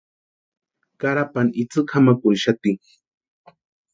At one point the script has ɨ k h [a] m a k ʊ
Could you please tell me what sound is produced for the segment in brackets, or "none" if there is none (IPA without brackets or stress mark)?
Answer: a